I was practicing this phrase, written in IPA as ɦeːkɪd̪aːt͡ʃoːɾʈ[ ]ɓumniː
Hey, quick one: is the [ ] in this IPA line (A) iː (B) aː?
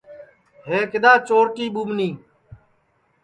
A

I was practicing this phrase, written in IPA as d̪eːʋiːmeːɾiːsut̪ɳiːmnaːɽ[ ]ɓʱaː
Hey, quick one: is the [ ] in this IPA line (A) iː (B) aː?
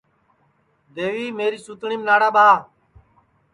B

